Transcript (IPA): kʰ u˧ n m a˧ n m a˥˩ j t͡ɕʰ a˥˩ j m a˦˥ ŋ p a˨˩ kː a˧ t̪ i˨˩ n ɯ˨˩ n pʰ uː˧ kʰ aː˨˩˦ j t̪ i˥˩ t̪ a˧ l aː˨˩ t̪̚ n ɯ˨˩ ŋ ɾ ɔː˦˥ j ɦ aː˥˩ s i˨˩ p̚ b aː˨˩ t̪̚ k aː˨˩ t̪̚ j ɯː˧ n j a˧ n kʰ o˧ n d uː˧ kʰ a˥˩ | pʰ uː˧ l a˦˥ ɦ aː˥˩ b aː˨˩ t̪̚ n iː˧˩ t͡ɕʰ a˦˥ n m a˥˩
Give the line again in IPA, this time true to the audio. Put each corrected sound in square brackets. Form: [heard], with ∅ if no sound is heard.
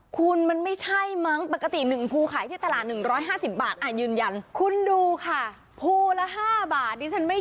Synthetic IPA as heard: kʰ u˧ n m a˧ n m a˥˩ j t͡ɕʰ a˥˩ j m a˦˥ ŋ p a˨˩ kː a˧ t̪ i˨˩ n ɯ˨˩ [ŋ] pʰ uː˧ kʰ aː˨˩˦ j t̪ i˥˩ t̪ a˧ l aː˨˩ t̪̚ n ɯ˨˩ ŋ ɾ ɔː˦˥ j ɦ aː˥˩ s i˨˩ p̚ b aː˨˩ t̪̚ [ʔ] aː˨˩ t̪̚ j ɯː˧ n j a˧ n kʰ [u˧] n d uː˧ kʰ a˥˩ | pʰ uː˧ l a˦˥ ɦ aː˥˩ b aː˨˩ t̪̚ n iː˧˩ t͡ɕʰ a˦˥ n m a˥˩